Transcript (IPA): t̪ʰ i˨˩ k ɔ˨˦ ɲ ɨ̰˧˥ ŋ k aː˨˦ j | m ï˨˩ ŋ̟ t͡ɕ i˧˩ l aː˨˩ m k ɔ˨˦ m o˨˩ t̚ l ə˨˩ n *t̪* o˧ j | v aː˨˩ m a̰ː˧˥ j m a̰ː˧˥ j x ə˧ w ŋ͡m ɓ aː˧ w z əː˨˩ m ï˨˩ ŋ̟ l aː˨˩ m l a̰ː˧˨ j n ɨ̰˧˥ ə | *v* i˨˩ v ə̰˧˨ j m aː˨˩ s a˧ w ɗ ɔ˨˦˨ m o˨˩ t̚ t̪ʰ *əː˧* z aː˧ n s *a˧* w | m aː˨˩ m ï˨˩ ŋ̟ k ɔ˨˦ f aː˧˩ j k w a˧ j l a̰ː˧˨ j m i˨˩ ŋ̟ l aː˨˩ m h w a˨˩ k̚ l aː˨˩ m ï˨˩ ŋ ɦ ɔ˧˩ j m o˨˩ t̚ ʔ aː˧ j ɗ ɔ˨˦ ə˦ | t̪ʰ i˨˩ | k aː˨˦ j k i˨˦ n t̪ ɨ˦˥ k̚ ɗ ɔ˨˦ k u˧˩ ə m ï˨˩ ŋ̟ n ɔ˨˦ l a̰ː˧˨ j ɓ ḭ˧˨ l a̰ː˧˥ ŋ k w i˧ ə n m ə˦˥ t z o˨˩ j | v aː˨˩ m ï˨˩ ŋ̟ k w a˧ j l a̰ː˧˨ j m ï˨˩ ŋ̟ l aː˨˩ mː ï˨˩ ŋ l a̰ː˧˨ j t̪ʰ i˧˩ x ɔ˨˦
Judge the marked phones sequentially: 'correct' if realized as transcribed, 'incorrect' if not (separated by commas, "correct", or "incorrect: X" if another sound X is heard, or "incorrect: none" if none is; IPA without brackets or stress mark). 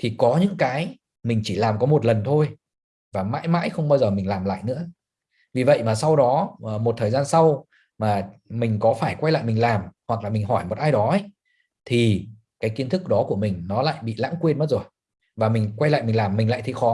incorrect: t̪ʰ, correct, incorrect: əː˨˩, correct